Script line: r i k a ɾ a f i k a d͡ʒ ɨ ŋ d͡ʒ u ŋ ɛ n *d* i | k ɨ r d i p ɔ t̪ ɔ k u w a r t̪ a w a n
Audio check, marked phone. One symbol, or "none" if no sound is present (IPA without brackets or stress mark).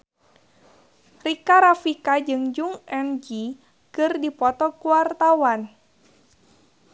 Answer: d͡ʒ